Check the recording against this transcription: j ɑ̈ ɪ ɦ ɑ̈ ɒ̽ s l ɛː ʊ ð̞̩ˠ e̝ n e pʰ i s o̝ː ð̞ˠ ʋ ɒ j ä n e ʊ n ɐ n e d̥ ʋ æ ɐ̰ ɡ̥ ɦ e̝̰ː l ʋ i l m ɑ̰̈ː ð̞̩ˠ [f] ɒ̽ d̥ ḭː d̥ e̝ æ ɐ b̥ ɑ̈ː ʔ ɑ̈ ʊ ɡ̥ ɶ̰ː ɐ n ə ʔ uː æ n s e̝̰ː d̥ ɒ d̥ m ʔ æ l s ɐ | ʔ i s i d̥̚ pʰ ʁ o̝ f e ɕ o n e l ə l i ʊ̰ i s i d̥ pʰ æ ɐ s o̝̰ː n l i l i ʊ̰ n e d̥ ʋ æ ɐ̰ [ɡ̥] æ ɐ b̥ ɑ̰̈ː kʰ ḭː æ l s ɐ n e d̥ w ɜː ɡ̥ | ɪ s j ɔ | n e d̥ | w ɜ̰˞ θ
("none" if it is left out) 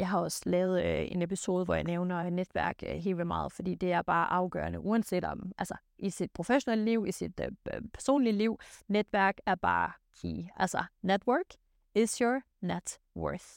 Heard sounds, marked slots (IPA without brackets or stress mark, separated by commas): f, ɡ̥